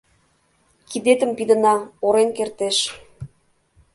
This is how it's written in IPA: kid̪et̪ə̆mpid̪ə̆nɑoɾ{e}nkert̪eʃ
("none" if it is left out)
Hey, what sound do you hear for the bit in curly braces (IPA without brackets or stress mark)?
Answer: e